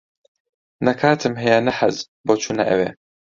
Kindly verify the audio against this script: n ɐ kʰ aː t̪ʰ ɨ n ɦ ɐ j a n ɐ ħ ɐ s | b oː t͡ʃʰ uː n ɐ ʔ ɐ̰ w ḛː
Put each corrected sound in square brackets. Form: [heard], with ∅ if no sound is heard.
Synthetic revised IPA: n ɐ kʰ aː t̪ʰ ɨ [m] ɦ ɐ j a n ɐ ħ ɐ [z] | b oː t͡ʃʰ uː n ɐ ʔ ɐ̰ w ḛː